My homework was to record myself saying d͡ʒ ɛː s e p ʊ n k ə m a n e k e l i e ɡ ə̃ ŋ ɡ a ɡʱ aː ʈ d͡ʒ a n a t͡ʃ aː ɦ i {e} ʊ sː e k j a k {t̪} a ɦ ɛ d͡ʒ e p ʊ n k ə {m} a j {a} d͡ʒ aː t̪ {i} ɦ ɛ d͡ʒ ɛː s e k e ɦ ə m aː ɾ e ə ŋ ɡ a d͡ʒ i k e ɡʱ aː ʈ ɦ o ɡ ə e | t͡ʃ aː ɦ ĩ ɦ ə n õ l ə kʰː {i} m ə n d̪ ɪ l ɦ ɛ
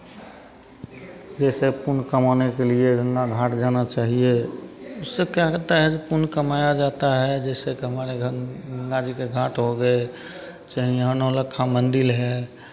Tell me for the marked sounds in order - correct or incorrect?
correct, correct, correct, correct, incorrect: a, incorrect: a

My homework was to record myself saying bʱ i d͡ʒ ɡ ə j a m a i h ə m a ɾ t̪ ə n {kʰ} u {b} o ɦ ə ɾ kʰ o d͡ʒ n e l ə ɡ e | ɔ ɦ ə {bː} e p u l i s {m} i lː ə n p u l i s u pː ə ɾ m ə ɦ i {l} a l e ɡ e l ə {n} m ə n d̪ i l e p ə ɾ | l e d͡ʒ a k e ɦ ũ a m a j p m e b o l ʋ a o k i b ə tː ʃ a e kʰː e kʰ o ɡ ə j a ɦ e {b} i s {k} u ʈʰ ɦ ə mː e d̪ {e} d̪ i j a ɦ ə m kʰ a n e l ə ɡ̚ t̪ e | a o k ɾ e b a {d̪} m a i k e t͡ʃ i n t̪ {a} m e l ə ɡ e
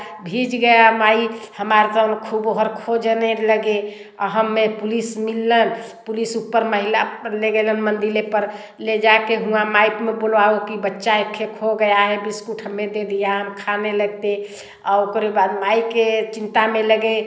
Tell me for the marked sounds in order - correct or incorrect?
correct, correct, incorrect: mː, correct, correct, correct, correct, correct, correct, correct, correct

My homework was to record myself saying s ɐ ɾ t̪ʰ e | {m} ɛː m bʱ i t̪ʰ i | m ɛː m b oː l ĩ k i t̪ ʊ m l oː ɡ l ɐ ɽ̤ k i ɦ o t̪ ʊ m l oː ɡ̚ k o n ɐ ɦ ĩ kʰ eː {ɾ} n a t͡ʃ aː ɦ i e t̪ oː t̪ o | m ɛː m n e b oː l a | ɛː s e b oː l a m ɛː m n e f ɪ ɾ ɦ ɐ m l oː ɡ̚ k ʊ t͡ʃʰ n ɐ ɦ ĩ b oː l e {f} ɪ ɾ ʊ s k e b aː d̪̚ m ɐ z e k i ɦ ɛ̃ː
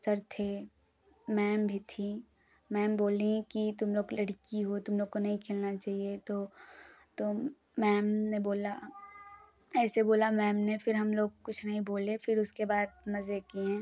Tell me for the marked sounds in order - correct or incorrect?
correct, incorrect: l, correct

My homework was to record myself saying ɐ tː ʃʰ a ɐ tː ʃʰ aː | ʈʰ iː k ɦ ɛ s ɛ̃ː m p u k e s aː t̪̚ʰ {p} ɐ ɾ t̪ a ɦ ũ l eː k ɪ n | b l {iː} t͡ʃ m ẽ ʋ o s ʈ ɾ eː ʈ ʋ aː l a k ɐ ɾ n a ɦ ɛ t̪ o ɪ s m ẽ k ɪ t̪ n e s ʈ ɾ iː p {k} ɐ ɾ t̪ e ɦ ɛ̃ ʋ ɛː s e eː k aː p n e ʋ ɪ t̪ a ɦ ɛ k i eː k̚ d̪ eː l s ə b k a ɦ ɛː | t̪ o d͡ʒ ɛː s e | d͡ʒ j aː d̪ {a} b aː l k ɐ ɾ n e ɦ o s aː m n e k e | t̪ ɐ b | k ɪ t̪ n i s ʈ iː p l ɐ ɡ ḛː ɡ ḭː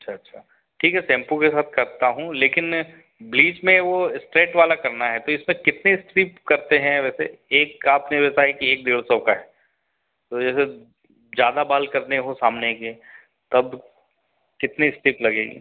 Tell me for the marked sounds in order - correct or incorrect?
incorrect: k, correct, correct, correct

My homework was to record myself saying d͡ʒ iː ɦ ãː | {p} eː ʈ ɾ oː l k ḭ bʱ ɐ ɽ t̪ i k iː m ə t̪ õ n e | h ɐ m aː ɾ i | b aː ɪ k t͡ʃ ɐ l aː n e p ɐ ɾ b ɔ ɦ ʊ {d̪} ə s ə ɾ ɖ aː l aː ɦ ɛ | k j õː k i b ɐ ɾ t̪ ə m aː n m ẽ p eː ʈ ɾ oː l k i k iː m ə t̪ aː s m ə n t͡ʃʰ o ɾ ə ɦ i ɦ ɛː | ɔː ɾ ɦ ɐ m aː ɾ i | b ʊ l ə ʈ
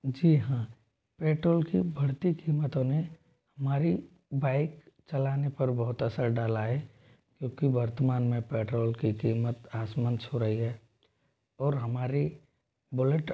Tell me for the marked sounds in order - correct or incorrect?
correct, incorrect: t̪

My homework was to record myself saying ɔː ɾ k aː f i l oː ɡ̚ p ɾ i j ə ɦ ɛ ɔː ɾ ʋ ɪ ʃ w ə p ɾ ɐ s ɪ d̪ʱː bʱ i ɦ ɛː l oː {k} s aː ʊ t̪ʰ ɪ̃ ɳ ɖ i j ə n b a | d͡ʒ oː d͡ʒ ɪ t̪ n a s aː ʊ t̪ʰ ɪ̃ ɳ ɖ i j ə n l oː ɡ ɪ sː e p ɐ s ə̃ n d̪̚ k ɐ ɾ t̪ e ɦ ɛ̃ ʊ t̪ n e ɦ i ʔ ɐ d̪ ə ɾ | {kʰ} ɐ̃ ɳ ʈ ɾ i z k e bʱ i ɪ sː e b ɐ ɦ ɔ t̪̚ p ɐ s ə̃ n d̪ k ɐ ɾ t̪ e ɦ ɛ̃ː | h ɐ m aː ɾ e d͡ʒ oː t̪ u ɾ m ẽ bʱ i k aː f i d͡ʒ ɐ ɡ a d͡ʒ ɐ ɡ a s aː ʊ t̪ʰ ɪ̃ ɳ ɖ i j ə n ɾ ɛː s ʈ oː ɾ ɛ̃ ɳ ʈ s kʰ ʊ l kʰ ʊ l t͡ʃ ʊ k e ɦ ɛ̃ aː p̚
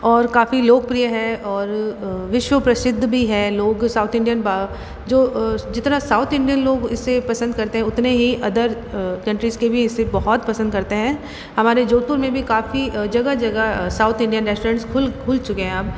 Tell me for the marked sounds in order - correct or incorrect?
incorrect: ɡ, incorrect: k

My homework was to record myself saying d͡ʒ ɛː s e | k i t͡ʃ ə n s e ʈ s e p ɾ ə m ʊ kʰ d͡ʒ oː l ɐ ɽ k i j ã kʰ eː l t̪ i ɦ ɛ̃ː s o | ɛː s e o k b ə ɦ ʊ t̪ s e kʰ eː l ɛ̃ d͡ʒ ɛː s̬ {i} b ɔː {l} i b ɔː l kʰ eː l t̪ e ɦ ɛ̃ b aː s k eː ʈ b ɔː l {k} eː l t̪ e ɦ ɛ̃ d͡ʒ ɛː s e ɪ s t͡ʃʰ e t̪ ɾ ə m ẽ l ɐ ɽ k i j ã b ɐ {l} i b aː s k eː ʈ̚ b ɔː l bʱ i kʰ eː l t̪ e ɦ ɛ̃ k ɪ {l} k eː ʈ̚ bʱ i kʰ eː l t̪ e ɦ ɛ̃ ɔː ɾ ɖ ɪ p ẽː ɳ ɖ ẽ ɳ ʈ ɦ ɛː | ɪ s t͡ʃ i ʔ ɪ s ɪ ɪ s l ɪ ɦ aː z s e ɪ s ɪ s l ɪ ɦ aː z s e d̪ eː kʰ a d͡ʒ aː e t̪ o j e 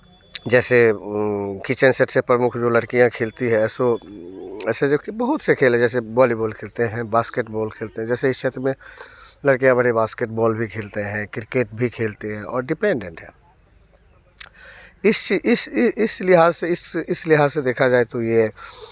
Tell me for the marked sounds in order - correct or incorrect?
incorrect: e, correct, incorrect: kʰ, incorrect: ɽ, incorrect: ɾ

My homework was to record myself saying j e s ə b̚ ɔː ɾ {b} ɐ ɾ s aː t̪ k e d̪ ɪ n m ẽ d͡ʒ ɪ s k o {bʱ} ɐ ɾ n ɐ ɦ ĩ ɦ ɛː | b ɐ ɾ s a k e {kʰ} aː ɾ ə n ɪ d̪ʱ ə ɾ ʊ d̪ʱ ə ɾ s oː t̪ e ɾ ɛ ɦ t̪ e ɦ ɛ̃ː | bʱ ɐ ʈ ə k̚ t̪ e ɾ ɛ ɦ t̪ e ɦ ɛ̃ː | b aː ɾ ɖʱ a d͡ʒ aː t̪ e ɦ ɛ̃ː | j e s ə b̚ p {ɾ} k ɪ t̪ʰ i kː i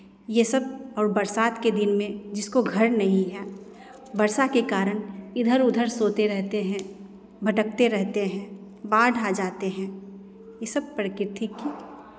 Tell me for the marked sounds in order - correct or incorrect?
correct, incorrect: ɡʱ, incorrect: k, correct

